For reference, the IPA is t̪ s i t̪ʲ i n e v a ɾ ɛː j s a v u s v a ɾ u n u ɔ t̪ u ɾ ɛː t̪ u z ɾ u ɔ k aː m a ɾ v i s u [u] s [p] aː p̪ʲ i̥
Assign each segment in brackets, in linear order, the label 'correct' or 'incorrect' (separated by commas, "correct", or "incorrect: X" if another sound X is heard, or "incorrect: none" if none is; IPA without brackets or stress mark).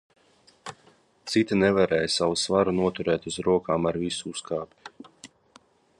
correct, incorrect: k